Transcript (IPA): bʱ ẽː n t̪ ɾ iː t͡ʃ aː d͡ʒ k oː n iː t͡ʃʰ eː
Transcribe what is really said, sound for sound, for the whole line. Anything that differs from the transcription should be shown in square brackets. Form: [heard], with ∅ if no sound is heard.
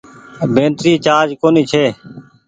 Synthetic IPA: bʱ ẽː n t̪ ɾ iː t͡ʃ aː d͡ʒ k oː n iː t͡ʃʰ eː